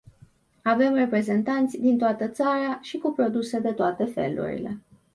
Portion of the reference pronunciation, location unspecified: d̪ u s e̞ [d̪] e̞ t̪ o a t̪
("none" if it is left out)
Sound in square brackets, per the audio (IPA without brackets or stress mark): d̪